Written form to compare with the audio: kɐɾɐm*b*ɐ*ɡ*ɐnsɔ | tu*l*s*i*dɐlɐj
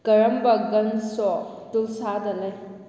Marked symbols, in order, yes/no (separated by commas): yes, yes, yes, no